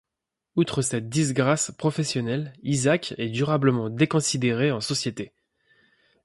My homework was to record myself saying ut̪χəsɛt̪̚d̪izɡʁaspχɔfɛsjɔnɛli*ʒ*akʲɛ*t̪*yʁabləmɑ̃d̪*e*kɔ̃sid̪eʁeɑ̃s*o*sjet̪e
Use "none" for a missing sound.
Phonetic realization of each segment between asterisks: z, d̪, e, ɔ

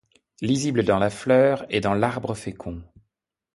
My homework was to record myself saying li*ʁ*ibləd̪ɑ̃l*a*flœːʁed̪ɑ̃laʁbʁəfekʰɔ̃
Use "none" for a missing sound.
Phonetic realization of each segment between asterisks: z, a

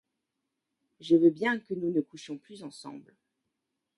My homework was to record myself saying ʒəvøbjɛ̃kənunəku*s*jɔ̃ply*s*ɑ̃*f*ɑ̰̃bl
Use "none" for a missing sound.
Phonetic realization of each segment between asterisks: ʃ, z, s

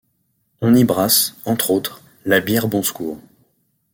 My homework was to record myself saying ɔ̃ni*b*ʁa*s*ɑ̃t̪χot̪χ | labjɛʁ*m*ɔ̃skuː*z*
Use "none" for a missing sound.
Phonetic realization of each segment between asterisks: b, s, b, ʁ

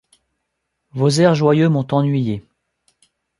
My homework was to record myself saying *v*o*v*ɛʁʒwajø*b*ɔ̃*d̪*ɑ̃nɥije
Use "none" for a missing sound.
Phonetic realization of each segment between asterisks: v, z, m, t̪

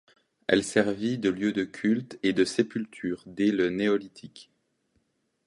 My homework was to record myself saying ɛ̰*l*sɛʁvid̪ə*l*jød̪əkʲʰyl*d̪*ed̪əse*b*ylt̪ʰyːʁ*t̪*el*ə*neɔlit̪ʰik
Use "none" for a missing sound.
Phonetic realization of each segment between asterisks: l, l, t̪, p, d̪, ə

